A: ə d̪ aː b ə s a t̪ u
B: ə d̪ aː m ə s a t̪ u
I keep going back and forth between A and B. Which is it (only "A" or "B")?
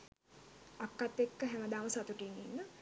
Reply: B